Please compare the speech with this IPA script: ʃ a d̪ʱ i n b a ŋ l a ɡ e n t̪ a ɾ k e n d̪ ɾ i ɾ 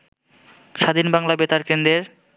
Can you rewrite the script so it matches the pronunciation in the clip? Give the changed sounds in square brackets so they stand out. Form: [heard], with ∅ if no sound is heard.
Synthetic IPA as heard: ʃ a d̪ʱ i n b a ŋ l a [b] e [∅] t̪ a ɾ k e n d̪ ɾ [e] ɾ